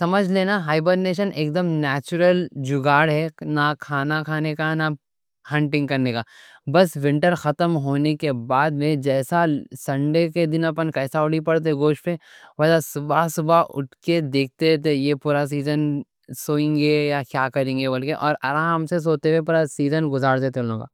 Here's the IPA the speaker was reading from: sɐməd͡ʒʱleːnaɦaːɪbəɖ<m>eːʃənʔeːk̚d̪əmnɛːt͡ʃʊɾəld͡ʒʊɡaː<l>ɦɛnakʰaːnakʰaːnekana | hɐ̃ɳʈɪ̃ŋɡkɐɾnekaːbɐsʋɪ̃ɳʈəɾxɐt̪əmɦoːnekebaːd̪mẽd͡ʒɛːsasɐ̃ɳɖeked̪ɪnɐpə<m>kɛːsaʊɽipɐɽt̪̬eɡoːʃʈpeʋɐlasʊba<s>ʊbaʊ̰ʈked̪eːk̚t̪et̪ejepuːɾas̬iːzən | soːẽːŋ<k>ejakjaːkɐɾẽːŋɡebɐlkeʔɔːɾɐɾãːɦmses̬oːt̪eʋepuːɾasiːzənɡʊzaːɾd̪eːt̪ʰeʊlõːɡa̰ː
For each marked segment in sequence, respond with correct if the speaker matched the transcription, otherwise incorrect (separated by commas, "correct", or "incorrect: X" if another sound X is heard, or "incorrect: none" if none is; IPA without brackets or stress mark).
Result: incorrect: n, incorrect: ɽ, incorrect: n, correct, incorrect: ɡ